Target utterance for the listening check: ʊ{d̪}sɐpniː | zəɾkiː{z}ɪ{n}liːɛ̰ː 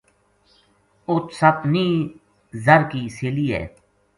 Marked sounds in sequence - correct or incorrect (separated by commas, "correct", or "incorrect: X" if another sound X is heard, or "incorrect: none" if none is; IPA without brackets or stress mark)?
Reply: incorrect: t̪, incorrect: s, incorrect: none